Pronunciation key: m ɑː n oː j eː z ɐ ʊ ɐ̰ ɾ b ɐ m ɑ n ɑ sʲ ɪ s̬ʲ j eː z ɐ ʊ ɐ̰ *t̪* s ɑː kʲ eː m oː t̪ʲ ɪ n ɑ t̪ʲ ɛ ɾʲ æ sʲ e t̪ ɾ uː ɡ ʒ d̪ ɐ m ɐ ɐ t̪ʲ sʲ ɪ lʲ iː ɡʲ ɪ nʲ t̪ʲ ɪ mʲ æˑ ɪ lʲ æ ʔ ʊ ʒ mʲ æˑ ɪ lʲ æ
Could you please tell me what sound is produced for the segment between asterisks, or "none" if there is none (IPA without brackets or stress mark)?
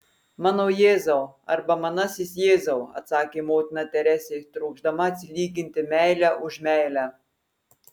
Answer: t̪